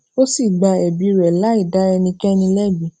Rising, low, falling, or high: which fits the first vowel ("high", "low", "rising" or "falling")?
high